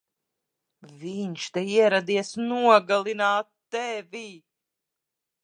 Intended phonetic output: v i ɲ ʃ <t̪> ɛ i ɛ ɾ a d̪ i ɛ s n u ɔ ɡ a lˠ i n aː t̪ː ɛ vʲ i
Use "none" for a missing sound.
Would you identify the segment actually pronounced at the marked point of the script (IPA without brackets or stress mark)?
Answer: t̪